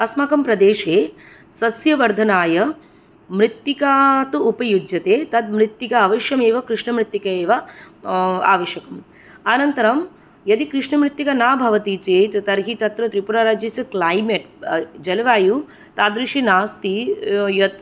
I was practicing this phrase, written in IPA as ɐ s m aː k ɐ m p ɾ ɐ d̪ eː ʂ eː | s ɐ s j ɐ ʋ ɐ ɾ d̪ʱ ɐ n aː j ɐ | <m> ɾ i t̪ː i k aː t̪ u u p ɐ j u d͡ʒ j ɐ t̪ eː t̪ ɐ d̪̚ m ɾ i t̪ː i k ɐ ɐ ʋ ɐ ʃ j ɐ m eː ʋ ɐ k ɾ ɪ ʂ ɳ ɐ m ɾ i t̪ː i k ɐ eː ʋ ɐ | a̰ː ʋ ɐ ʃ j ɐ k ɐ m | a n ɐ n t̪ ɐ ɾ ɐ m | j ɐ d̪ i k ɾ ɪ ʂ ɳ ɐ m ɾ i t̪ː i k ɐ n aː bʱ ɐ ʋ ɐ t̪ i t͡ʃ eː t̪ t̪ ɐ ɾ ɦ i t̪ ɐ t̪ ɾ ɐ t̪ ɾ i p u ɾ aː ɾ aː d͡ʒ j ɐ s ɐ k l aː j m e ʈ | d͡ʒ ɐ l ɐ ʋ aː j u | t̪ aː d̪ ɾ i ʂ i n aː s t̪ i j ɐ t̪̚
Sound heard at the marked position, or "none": m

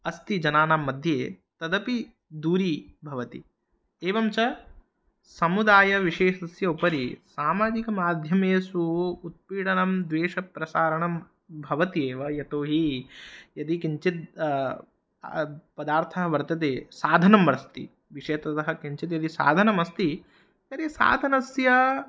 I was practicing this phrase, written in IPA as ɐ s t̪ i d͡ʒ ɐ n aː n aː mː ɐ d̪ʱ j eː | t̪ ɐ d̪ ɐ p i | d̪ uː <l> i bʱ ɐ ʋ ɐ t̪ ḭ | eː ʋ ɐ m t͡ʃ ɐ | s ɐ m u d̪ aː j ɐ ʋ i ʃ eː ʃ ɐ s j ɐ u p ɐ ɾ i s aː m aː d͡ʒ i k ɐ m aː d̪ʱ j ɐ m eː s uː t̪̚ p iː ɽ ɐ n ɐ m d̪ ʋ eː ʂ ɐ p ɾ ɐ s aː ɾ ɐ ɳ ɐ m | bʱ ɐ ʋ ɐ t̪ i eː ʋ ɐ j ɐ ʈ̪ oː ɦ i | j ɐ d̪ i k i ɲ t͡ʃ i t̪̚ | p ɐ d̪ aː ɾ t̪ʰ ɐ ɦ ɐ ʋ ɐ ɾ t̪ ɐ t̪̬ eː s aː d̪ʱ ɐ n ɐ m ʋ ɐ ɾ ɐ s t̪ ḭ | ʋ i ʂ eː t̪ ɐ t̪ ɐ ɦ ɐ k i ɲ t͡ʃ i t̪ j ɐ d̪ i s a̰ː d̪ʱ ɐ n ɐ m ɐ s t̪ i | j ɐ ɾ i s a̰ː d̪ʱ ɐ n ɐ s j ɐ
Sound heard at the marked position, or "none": ɾ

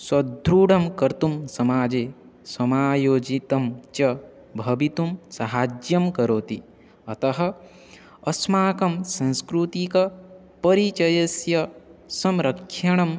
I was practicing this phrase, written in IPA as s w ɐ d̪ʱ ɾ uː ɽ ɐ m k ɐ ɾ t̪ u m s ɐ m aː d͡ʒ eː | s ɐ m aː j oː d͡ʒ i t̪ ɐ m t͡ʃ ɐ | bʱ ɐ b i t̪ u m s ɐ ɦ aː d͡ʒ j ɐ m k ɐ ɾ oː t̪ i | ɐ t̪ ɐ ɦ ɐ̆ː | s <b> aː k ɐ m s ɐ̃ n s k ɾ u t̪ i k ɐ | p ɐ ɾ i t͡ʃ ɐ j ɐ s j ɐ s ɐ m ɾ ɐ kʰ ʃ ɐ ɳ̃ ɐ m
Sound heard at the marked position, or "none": m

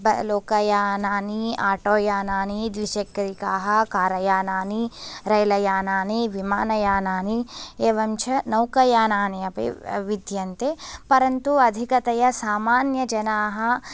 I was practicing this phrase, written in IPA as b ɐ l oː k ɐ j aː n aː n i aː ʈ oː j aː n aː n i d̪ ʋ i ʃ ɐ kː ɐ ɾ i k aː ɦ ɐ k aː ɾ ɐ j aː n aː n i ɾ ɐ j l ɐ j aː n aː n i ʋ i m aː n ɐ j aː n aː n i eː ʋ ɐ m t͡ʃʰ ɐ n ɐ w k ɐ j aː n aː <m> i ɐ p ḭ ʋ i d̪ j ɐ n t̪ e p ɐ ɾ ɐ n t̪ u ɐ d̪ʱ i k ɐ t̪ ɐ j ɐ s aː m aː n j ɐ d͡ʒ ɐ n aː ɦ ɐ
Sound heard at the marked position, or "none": n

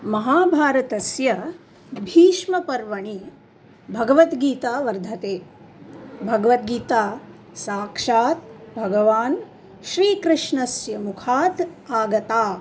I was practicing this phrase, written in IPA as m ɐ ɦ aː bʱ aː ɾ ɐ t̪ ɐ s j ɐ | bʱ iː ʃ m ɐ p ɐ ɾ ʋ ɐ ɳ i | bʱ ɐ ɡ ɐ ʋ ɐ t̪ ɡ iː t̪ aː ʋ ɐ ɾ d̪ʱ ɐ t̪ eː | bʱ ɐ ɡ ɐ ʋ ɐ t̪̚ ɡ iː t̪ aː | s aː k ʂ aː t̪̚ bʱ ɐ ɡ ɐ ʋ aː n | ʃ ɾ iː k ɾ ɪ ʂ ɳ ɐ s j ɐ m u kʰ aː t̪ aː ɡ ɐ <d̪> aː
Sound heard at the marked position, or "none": t̪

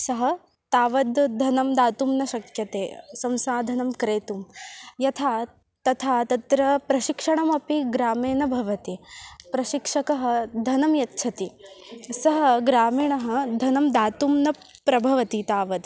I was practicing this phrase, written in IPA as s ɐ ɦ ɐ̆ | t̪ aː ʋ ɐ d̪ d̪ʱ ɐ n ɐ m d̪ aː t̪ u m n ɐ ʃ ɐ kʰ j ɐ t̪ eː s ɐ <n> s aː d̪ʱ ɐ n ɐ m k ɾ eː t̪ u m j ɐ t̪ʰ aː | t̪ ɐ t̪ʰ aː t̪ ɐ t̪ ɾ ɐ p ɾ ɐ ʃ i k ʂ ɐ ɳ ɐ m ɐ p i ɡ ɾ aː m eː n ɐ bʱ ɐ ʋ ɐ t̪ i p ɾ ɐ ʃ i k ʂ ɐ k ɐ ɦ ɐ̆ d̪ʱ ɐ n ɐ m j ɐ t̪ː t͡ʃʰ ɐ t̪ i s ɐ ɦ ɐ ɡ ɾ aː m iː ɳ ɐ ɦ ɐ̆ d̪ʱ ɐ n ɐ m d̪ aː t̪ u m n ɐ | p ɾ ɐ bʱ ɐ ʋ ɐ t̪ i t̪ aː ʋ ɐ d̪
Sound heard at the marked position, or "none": m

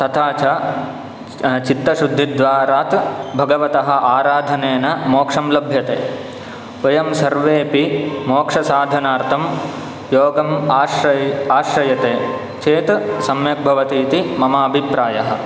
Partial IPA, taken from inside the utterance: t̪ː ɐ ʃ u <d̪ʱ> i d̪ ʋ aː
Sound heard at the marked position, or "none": d̪ʱː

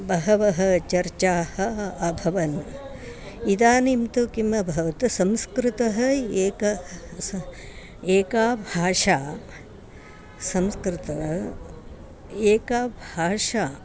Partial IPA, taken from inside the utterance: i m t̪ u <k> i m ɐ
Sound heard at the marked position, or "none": k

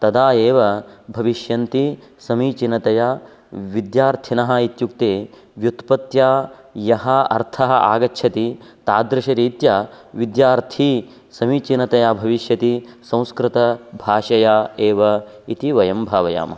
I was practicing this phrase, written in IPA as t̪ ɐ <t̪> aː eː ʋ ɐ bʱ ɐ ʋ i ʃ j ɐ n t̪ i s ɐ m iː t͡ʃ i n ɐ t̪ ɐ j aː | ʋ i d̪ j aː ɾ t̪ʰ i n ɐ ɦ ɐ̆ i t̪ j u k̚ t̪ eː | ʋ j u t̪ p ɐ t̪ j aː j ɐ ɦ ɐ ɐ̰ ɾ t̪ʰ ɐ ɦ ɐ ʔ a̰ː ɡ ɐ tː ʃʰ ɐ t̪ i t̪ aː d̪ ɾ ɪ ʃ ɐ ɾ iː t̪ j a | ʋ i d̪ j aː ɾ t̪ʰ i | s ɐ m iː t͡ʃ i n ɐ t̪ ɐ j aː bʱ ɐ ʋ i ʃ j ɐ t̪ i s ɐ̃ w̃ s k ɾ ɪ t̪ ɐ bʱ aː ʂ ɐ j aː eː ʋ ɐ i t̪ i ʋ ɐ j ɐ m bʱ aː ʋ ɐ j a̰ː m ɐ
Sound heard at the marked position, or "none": d̪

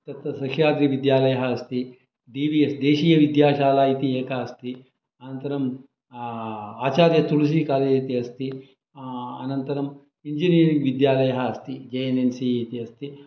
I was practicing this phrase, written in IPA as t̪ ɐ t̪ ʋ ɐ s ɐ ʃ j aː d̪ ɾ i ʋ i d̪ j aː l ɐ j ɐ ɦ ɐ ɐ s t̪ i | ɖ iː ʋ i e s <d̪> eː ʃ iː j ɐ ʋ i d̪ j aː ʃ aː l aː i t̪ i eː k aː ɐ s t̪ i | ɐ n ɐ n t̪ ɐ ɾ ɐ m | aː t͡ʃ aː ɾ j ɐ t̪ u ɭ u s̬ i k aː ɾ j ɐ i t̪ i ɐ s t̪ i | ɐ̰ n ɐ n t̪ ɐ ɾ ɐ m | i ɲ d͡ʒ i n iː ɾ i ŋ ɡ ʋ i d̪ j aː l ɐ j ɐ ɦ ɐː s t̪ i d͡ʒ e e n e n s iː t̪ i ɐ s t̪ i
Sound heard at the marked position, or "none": d̪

